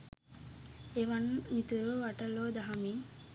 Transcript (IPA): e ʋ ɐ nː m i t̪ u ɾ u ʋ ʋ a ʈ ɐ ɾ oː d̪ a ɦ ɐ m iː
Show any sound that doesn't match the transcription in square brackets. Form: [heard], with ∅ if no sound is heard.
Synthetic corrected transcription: e ʋ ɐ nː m i t̪ u ɾ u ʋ ʋ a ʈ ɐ [l] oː d̪ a ɦ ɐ m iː